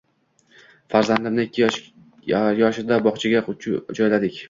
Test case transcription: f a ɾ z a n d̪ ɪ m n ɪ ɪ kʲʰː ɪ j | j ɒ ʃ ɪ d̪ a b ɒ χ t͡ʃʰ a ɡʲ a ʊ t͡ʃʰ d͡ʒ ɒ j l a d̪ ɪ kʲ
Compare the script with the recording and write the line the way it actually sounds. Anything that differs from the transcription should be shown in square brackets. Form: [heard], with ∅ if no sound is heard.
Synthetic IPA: f a ɾ z a n d̪ ɪ m n ɪ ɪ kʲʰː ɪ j | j ɒ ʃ ɪ d̪ a b ɒ χ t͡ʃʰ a ɡʲ a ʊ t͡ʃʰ d͡ʒ ɒ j l a d̪ ɪ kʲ